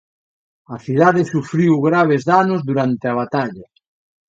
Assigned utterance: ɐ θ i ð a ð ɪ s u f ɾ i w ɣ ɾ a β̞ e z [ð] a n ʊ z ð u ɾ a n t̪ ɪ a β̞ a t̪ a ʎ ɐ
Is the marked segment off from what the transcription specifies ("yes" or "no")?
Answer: no